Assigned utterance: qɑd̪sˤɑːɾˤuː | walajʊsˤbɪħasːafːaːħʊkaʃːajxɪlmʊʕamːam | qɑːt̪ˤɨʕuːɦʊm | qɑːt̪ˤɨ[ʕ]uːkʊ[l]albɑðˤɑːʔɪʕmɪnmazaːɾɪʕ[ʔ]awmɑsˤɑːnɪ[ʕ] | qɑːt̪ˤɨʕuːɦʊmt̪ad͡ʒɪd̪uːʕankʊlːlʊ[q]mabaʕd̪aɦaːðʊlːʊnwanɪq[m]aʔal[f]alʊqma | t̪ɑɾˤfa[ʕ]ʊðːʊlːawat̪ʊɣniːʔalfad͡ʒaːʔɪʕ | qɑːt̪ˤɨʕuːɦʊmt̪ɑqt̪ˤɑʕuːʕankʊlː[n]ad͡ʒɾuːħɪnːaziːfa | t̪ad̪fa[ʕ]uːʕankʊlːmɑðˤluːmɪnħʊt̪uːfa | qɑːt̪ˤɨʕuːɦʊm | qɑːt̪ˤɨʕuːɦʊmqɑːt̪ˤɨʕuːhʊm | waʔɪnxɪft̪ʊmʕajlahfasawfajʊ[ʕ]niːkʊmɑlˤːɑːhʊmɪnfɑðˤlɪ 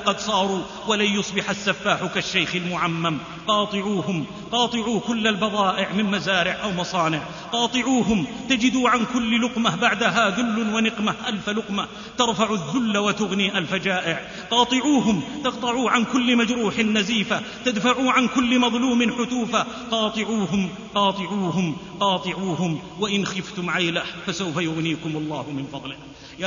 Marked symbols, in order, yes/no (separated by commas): yes, no, yes, yes, yes, yes, yes, yes, no, yes, no